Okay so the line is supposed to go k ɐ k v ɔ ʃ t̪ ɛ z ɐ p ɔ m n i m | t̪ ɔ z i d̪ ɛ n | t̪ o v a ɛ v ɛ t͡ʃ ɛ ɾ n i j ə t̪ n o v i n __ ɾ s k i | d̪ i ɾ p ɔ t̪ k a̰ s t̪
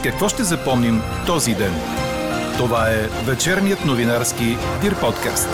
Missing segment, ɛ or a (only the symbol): a